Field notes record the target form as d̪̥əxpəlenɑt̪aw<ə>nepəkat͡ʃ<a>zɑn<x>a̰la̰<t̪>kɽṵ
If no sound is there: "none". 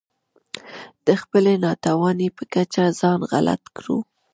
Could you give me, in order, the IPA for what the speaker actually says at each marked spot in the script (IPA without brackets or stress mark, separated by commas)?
ɑ, a, ɣ, t̪